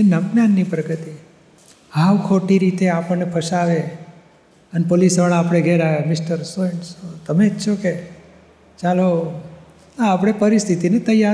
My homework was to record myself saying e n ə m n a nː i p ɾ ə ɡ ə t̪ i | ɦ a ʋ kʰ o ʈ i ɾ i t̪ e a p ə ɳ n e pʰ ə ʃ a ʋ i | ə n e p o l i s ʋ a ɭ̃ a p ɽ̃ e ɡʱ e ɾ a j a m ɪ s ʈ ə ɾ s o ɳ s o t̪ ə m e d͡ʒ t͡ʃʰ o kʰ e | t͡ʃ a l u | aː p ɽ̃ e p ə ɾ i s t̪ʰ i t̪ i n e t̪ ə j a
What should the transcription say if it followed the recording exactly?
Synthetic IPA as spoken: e n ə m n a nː i p ɾ ə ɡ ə t̪ i | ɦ a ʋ kʰ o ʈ i ɾ i t̪ e a p ə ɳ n e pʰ ə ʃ a ʋ e | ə n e p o l i s ʋ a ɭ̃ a p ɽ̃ e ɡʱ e ɾ a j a m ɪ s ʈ ə ɾ s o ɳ s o t̪ ə m e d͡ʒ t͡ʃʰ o k e | t͡ʃ a l o | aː p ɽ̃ e p ə ɾ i s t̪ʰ i t̪ i n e t̪ ə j a